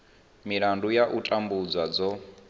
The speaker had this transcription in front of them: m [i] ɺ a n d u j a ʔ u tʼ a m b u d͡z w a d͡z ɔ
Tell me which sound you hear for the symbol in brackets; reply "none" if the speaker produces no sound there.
i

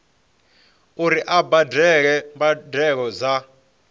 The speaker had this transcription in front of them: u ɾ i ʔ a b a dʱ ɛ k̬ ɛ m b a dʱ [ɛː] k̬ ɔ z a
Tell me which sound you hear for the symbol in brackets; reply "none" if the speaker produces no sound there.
ɛ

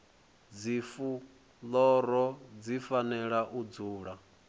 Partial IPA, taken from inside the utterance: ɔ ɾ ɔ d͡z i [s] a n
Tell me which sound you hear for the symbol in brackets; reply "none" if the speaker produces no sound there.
f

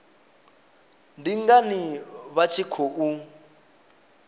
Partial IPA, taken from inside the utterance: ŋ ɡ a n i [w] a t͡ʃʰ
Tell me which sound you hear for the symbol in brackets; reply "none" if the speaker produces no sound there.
β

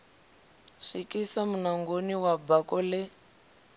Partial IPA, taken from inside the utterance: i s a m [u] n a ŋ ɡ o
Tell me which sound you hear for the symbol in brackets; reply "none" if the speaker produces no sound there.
u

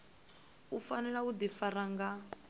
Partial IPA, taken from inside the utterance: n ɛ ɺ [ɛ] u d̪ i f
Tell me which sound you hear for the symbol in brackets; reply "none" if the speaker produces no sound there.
a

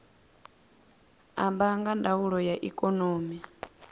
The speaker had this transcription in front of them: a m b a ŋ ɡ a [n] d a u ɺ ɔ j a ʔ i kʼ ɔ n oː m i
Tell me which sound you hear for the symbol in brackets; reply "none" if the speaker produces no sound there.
n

